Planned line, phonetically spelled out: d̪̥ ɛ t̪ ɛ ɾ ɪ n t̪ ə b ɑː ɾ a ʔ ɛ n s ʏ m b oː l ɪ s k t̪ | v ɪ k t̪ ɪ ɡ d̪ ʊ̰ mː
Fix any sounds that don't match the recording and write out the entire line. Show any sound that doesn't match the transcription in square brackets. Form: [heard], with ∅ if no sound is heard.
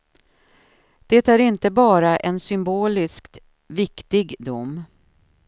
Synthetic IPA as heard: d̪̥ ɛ t̪ [æ] ɾ ɪ n t̪ ə b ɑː ɾ a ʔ ɛ n s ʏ m b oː l ɪ s k t̪ | v ɪ k t̪ ɪ ɡ d̪ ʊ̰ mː